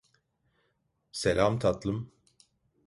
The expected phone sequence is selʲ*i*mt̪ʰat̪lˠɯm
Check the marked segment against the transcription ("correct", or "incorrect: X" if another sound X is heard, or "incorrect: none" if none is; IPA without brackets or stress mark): incorrect: a